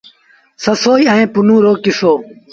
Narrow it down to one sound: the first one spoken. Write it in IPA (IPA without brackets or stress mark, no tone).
s